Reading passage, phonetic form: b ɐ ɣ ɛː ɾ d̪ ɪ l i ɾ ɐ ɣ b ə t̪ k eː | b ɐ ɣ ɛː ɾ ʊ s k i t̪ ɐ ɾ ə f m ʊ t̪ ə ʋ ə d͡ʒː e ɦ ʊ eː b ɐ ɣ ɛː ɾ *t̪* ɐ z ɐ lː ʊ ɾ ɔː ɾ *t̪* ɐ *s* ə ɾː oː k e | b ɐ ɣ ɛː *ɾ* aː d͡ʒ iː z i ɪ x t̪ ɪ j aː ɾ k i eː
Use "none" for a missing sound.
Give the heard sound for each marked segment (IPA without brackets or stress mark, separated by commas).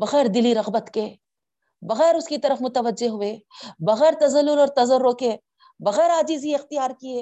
t̪, t̪, z, ɾ